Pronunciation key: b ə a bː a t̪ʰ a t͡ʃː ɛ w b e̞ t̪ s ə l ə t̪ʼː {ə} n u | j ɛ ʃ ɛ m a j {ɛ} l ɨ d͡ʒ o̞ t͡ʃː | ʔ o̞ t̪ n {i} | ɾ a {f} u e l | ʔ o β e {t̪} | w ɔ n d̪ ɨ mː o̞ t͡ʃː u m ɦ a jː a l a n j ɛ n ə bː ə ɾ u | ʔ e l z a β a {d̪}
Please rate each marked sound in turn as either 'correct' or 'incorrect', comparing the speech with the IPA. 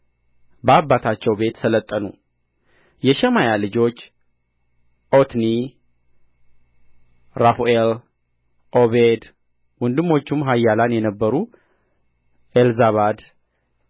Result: correct, incorrect: a, correct, correct, incorrect: d̪, correct

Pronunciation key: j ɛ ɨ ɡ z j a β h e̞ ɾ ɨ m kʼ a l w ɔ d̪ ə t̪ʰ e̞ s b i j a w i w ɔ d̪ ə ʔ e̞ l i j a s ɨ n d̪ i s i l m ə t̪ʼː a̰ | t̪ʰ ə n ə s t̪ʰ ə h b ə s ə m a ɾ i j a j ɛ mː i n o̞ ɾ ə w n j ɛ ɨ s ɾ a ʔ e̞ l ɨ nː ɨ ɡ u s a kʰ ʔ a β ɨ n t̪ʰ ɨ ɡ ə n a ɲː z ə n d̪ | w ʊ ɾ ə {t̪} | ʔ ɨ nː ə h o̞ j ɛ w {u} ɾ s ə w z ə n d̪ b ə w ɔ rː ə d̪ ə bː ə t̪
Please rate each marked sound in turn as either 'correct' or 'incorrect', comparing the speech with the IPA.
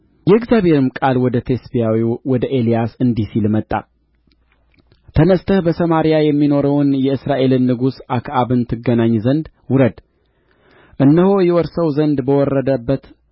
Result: incorrect: d̪, incorrect: ɔ

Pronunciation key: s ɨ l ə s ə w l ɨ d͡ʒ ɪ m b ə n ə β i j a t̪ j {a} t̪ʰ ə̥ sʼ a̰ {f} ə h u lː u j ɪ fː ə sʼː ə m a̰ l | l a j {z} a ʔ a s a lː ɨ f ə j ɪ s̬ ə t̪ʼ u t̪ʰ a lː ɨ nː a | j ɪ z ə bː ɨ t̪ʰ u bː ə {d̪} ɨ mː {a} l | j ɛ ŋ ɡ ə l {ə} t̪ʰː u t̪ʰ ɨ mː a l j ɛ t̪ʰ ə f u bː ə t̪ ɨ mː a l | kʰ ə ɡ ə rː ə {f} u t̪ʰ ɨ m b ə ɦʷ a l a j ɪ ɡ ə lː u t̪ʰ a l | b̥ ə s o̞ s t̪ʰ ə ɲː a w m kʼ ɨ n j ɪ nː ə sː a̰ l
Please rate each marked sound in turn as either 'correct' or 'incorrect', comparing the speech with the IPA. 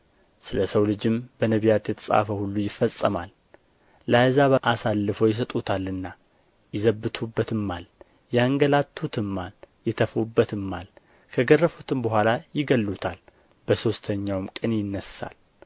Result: incorrect: ɛ, correct, correct, incorrect: t̪, correct, incorrect: a, correct

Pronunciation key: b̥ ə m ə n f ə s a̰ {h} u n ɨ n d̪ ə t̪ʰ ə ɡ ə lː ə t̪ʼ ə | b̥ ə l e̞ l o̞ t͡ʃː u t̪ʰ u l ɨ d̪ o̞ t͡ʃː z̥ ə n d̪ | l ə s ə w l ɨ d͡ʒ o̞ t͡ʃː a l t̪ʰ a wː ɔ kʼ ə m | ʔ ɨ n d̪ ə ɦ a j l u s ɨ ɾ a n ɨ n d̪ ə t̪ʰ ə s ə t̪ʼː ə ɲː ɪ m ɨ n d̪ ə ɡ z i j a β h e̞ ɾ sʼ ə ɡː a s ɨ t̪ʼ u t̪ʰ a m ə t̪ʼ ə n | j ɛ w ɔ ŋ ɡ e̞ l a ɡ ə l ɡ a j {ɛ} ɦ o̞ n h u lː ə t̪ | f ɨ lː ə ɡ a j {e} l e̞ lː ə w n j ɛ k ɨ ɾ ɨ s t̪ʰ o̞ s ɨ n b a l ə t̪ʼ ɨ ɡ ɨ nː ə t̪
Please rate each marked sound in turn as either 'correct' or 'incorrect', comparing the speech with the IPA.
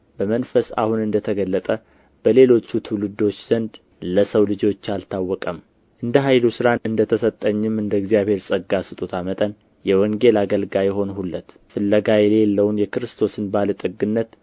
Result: correct, correct, incorrect: ɛ

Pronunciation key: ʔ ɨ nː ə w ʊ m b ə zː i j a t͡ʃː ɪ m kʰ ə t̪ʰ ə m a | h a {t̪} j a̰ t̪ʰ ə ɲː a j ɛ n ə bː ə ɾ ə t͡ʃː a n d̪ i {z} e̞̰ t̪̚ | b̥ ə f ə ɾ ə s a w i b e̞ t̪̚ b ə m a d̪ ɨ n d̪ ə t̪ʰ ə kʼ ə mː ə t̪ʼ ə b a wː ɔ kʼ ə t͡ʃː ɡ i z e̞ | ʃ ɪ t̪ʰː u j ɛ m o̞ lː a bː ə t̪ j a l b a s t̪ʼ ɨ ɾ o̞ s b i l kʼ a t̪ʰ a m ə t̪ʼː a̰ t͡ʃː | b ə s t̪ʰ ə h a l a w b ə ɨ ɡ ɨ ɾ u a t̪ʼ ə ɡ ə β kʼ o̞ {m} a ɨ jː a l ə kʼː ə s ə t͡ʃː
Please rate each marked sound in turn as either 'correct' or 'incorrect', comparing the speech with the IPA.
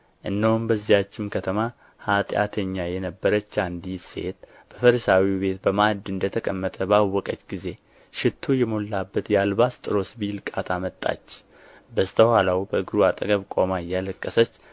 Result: incorrect: t̪ʼ, incorrect: s, correct

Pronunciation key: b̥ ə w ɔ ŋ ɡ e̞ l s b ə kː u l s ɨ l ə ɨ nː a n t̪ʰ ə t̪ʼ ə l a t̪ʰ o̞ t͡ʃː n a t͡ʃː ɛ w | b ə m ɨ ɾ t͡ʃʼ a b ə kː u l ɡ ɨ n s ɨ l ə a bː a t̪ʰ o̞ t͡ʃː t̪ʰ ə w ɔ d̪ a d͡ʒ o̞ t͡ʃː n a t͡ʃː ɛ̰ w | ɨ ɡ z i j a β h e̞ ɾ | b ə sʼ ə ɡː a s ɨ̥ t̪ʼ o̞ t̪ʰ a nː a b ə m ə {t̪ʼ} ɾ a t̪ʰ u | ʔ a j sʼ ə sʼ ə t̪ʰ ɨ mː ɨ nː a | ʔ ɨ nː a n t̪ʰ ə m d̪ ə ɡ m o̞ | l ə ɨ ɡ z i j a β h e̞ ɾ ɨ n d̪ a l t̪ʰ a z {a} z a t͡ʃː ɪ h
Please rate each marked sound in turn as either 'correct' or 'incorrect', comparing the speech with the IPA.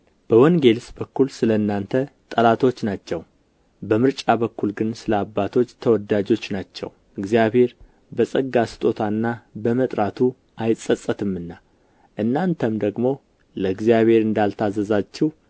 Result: correct, incorrect: ə

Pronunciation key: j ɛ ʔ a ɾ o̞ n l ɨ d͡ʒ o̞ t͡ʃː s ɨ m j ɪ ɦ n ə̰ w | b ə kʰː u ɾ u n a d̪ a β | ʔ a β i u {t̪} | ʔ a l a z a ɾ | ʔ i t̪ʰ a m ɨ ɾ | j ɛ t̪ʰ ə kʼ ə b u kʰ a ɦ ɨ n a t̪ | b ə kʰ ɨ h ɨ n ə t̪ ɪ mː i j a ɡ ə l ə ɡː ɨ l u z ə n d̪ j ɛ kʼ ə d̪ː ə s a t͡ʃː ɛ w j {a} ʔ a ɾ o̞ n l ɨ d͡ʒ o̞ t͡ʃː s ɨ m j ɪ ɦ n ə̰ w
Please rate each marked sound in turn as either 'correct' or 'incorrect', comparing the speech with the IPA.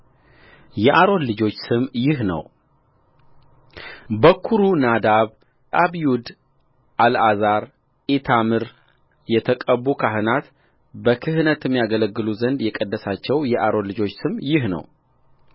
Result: incorrect: d̪, incorrect: ɛ

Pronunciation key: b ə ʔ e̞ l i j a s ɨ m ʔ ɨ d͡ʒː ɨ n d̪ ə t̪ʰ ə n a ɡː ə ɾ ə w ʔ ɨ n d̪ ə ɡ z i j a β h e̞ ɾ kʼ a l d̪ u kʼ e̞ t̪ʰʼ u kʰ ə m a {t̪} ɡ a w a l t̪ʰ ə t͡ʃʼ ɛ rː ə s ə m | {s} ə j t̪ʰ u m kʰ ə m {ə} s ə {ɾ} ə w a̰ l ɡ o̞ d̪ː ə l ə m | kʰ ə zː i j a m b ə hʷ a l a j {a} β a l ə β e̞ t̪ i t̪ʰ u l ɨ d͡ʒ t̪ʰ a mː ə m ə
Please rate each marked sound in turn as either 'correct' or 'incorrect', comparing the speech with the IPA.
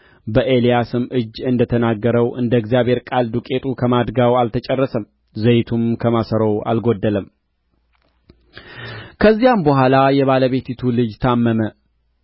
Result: incorrect: d̪, incorrect: z, incorrect: a, correct, incorrect: ɛ

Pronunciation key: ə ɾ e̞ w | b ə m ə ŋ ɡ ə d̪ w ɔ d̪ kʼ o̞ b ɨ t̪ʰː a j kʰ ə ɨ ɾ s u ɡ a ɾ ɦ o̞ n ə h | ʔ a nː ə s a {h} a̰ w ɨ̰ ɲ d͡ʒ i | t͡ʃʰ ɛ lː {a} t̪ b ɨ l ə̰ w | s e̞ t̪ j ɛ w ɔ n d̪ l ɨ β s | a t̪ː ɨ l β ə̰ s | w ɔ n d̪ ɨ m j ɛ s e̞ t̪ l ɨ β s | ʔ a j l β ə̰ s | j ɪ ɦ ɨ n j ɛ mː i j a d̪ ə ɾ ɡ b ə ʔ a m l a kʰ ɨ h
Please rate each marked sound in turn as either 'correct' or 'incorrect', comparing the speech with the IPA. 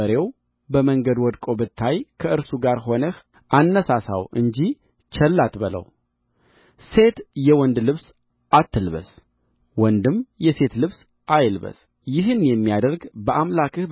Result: incorrect: s, correct

